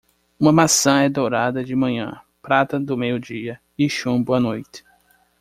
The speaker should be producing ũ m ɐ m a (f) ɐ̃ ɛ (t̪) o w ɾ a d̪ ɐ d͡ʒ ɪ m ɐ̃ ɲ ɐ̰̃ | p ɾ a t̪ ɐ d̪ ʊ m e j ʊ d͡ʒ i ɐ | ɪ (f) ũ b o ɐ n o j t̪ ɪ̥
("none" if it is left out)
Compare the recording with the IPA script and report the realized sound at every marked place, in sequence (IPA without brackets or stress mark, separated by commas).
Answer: s, d̪, ʃ